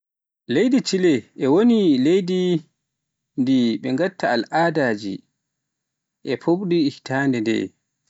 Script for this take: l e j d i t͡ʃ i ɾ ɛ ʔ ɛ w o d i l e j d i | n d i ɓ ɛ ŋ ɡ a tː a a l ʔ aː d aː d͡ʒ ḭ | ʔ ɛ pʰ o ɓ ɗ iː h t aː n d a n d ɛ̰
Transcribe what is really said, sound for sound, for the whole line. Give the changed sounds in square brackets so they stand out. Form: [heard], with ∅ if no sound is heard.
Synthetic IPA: l e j d i t͡ʃ i [l] ɛ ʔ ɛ w o [n] i l e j d i | n d i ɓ ɛ ŋ ɡ a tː a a l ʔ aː d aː d͡ʒ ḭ | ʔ ɛ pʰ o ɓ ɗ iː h t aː n d [ɛ] n d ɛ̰